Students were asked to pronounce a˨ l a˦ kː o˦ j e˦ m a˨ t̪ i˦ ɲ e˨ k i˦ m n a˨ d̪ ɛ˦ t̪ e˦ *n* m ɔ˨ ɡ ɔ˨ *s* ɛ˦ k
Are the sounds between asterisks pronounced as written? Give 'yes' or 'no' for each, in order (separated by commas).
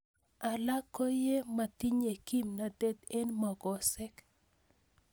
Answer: yes, yes